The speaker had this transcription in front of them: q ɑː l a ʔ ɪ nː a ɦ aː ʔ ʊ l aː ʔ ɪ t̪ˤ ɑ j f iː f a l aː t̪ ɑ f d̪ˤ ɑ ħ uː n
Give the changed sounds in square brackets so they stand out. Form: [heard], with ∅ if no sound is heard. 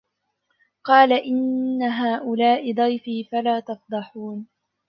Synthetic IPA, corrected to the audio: q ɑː l a ʔ ɪ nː a ɦ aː ʔ ʊ l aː ʔ ɪ [d̪ˤ] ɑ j f iː f a l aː t̪ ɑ f d̪ˤ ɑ ħ uː n